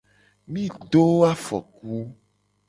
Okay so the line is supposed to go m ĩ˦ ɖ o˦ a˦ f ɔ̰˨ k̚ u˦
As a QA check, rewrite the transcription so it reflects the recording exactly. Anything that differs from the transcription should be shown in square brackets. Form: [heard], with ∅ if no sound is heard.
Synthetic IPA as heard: m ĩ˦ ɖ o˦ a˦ f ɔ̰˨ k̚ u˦